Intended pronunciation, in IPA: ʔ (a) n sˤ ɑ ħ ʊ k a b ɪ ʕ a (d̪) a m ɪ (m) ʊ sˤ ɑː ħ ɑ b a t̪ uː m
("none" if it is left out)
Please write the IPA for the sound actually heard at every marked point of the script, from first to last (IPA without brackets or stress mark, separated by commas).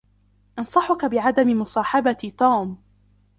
ɑ, d̪, m